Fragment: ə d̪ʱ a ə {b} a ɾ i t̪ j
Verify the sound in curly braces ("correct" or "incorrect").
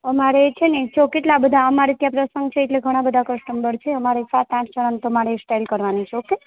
incorrect